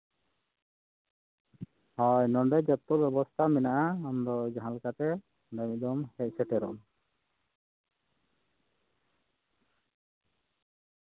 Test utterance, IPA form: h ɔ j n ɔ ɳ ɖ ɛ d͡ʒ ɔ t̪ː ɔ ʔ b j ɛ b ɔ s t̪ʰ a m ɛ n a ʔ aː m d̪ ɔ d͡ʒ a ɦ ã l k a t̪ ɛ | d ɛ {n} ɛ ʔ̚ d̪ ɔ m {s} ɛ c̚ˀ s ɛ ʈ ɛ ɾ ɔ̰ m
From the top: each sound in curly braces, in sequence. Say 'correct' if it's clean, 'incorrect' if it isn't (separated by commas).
incorrect, incorrect